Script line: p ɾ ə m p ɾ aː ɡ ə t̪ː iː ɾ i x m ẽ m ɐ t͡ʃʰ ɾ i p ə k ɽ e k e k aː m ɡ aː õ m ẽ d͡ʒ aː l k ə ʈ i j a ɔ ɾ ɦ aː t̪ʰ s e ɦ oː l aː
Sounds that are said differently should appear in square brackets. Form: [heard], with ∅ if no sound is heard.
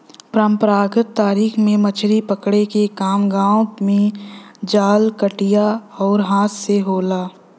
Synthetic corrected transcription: p ɾ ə m p ɾ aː ɡ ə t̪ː [aː] ɾ [iː] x m ẽ m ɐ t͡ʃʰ ɾ i p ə k ɽ e k e k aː m ɡ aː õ m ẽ d͡ʒ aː l k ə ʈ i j a [ɔː] ɾ ɦ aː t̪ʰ s e ɦ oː l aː